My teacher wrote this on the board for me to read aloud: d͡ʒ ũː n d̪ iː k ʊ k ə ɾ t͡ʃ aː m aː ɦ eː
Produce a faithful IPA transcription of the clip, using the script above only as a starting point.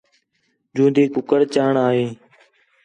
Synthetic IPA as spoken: d͡ʒ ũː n d̪ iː k ʊ k ə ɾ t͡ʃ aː ɳ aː ɦ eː